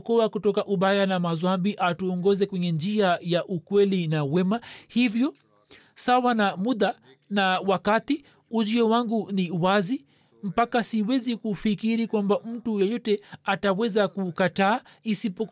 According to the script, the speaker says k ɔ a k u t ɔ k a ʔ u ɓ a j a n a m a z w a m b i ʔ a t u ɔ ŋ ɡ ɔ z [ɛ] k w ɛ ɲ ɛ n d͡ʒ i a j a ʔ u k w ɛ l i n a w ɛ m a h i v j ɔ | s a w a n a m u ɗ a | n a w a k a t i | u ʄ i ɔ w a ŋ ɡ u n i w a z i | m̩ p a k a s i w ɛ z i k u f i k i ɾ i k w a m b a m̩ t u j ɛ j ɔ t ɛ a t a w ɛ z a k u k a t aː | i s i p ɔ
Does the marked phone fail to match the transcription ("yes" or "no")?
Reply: no